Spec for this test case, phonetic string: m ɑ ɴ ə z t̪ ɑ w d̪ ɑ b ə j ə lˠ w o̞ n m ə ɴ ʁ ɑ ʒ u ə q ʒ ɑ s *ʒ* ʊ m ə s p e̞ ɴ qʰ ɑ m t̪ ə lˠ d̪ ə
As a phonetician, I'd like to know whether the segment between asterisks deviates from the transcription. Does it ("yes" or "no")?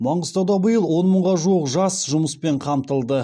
no